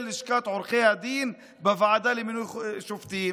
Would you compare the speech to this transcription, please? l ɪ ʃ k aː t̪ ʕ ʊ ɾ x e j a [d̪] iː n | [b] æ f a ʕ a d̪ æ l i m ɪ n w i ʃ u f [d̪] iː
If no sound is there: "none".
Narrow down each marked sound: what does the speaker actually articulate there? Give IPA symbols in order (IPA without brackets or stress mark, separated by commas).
d̪, b, t̪